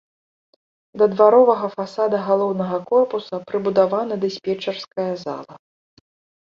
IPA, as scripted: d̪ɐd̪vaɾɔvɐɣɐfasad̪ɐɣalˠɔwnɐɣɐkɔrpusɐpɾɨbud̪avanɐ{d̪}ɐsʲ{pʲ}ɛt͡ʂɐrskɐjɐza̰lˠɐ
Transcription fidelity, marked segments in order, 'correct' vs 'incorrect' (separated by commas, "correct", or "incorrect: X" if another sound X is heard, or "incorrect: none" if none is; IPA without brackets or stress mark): correct, correct